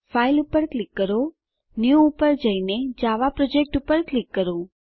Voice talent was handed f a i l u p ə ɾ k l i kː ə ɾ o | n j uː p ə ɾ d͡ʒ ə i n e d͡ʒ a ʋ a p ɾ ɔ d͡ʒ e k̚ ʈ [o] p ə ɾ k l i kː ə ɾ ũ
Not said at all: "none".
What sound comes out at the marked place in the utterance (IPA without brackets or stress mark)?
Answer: u